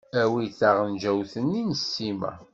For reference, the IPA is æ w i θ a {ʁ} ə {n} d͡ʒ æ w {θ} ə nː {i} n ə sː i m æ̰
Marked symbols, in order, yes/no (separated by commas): yes, yes, yes, yes